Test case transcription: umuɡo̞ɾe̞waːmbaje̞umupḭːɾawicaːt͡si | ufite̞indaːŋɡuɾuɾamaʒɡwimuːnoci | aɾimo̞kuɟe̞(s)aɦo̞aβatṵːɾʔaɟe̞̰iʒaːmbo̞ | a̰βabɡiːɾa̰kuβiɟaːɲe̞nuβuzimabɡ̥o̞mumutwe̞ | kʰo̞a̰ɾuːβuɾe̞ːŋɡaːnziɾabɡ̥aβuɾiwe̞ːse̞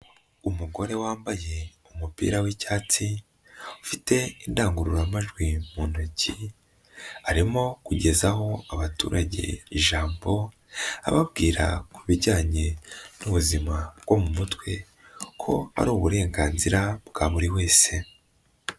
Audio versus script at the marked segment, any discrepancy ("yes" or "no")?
yes